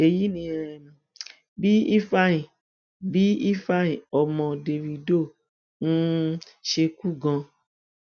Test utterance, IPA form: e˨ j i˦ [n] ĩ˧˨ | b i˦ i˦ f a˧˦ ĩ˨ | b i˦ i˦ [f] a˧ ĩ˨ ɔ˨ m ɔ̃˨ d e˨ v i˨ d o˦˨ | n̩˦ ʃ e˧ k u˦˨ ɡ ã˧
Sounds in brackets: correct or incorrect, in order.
correct, correct

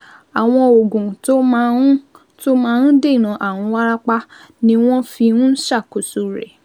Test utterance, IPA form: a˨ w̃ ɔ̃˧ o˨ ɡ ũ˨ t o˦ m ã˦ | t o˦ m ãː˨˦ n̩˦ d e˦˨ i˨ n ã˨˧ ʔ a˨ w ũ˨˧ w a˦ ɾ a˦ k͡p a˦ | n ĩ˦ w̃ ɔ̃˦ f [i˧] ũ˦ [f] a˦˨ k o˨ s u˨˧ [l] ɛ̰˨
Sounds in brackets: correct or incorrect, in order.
correct, incorrect: ʃ, incorrect: ɾ

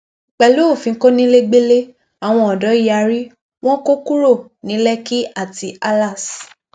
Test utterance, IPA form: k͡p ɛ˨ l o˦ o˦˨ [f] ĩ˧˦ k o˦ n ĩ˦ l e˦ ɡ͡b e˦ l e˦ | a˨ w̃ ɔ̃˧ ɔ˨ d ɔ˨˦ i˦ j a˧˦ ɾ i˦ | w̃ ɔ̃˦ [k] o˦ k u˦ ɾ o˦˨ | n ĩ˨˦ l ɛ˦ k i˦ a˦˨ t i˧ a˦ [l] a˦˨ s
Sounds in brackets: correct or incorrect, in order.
correct, correct, correct

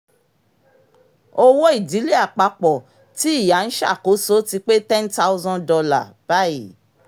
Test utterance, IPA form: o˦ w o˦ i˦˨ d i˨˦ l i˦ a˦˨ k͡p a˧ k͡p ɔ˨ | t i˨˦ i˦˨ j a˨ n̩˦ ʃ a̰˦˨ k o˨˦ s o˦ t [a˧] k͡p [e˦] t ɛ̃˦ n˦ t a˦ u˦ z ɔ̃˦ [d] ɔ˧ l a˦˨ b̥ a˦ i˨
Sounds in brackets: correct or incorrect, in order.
incorrect: i˧, correct, correct

